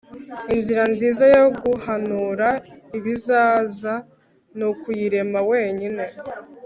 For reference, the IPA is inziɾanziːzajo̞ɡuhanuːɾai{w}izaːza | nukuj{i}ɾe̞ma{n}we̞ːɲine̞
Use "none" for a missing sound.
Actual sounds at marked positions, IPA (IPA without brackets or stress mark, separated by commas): β, i, none